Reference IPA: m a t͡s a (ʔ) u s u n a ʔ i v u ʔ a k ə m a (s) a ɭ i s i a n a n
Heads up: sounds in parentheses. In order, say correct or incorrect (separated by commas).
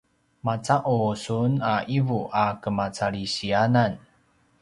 correct, incorrect